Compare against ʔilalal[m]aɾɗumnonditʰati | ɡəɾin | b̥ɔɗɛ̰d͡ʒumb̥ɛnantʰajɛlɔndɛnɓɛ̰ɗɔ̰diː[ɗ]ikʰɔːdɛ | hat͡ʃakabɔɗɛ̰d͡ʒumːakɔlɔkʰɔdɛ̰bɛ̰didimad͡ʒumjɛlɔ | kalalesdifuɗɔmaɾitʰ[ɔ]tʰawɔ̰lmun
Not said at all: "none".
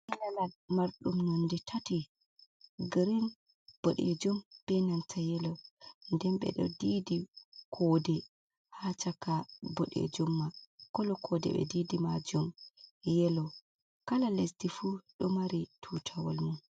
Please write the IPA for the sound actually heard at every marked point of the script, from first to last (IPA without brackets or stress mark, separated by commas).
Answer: m, d, u